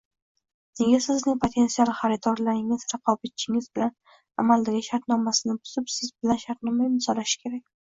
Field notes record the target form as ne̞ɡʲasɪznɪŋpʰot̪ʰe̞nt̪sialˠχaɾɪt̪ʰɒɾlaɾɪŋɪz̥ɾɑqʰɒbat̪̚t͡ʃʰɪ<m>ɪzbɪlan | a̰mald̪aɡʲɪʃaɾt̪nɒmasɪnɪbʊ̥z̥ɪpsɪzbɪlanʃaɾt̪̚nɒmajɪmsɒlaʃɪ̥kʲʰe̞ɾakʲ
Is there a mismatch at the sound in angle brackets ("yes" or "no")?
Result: yes